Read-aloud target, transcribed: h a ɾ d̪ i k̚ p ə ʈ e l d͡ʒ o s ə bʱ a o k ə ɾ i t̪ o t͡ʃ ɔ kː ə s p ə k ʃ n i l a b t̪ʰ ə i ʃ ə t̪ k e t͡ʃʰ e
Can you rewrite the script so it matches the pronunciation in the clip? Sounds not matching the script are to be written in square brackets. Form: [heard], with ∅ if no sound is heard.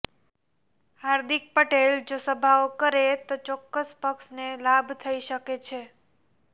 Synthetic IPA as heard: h a ɾ d̪ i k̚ p ə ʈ e l d͡ʒ o s ə bʱ a o k ə ɾ [e] t̪ o t͡ʃ ɔ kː ə s p ə k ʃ n [e] l a b t̪ʰ ə i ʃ ə [∅] k e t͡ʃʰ e